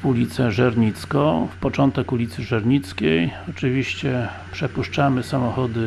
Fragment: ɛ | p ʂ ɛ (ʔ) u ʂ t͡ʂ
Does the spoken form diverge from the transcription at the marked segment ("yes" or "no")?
yes